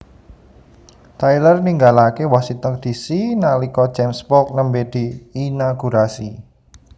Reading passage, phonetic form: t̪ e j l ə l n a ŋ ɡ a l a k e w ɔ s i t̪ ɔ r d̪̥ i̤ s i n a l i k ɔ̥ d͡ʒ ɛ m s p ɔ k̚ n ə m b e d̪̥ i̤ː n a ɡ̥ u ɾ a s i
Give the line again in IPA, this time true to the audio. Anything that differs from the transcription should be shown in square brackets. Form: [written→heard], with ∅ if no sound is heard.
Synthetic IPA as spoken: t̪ [e→a] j l ə [l→r] n [a→i] ŋ ɡ a l a k e w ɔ s i t̪ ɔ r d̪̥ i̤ s i n a l i k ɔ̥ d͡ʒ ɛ m s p ɔ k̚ n ə m b e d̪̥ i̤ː n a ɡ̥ u ɾ a s i